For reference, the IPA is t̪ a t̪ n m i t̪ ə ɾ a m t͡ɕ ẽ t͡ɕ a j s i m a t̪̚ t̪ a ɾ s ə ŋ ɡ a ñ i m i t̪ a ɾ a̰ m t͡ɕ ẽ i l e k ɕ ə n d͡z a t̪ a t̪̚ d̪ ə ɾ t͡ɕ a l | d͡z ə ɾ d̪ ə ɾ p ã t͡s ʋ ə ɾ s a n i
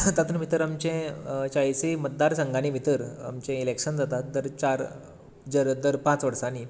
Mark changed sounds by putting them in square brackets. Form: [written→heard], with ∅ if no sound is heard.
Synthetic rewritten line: t̪ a t̪ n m i t̪ ə ɾ a m t͡ɕ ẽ t͡ɕ a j s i m [a→ə] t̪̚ [t̪→d̪] a ɾ s ə ŋ ɡ a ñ i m i t̪ [a→ə] ɾ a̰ m t͡ɕ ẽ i l e k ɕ ə n d͡z a t̪ a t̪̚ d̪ ə ɾ t͡ɕ a [l→ɾ] | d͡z ə ɾ d̪ ə ɾ p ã t͡s ʋ ə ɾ s a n i